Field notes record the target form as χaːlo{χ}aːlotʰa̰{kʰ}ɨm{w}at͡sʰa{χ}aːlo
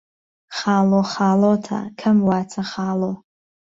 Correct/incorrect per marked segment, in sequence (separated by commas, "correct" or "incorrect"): correct, correct, correct, correct